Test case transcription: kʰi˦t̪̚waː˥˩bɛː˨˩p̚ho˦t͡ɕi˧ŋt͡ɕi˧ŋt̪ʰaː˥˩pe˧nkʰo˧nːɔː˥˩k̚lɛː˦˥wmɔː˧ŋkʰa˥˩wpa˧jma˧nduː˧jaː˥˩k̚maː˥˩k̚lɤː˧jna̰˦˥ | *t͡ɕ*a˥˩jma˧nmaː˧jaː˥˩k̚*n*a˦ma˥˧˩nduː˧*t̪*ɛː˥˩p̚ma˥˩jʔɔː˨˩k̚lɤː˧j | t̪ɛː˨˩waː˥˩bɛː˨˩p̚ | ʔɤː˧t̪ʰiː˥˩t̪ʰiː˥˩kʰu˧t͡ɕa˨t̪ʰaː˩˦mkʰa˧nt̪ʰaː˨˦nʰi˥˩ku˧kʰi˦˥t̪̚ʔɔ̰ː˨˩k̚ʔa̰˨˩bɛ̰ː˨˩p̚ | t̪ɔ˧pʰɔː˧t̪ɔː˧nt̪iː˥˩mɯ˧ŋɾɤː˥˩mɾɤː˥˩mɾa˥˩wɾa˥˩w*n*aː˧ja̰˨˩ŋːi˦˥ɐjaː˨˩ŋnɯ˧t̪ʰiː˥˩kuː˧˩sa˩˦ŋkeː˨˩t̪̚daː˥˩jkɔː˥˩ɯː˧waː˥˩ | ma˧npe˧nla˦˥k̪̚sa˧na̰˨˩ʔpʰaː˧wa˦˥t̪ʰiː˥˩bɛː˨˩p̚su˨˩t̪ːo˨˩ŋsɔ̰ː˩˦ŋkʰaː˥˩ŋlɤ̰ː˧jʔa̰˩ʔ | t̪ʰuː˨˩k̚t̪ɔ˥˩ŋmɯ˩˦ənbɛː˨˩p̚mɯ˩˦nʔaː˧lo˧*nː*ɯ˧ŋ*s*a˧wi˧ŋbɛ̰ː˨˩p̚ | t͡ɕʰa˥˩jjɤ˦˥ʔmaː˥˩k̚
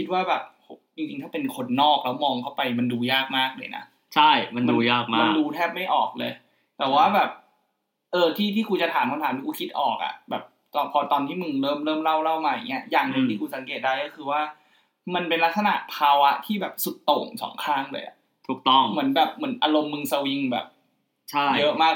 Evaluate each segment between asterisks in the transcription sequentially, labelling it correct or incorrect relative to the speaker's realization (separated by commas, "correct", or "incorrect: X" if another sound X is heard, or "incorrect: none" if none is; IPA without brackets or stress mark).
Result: incorrect: t͡ɕʰ, incorrect: m, incorrect: t̪ʰ, incorrect: m, incorrect: mː, correct